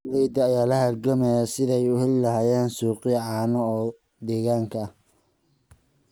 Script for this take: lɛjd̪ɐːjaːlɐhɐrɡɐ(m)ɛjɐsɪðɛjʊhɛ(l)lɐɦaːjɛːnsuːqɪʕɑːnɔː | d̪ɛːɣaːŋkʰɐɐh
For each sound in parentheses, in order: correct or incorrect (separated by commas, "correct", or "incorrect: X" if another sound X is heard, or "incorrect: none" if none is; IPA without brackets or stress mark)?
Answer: correct, correct